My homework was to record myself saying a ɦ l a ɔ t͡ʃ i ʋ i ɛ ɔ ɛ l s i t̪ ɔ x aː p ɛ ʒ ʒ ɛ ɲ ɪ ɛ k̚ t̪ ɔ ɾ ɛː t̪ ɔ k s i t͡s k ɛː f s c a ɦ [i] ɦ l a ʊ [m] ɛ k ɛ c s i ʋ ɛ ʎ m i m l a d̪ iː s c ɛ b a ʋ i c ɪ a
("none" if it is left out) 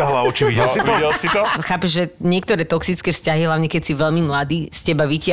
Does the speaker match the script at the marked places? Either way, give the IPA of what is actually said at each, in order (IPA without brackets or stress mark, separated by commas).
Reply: i, ɲ